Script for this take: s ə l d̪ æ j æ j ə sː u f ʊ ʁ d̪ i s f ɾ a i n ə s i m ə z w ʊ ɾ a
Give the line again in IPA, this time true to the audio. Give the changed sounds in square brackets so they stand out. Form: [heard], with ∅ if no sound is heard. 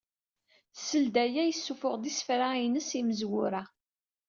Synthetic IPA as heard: s ə l d̪ æ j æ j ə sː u f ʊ ʁ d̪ i s f ɾ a i n ə s i m ə z w ʊ ɾ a